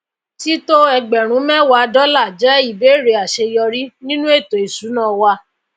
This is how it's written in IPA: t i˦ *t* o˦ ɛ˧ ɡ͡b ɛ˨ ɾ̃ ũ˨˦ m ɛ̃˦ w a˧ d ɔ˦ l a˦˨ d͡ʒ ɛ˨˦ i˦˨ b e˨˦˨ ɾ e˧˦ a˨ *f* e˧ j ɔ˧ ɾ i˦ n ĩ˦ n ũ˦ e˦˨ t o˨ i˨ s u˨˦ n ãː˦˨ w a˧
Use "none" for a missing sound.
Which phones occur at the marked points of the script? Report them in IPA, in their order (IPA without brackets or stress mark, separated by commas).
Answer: t, ʃ